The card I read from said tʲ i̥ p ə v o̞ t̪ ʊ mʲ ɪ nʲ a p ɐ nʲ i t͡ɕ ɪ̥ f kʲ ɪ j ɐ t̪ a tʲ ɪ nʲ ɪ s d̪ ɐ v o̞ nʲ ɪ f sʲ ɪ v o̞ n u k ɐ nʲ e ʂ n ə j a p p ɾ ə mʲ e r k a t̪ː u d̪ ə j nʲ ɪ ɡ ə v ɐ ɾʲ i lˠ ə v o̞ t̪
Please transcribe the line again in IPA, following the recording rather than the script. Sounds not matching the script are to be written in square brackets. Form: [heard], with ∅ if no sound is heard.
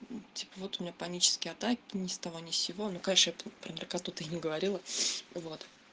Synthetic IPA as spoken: tʲ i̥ p ə v o̞ t̪ ʊ mʲ ɪ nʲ a p ɐ nʲ i t͡ɕ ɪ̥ [s] kʲ ɪ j ɐ t̪ a [kʲ] ɪ nʲ ɪ s [t̪] ɐ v o̞ nʲ ɪ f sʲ ɪ v o̞ n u k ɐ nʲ e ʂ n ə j a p p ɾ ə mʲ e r k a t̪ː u [t̪] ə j nʲ ɪ ɡ ə v ɐ ɾʲ i lˠ ə v o̞ t̪